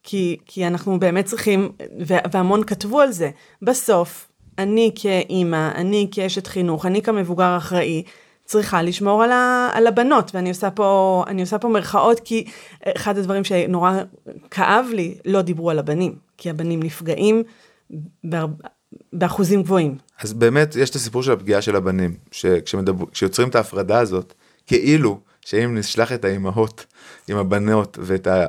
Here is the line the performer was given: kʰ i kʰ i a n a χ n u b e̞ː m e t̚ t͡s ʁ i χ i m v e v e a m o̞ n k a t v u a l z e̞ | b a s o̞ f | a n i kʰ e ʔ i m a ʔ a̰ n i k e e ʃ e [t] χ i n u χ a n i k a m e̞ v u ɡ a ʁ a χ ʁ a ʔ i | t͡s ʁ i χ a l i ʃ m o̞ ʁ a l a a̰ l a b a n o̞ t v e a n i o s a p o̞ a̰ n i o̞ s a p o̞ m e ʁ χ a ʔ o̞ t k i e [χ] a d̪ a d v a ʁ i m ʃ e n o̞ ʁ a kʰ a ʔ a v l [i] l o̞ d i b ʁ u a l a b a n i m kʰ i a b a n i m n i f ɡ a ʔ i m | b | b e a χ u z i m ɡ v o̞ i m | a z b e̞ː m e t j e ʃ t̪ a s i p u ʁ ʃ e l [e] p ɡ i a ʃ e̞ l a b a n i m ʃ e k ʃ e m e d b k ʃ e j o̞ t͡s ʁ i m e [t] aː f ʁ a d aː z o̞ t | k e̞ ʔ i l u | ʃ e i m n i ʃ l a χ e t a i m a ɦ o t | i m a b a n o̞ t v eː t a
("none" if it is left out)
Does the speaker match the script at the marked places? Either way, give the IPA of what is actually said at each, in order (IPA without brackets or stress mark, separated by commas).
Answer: t, χ, i, a, t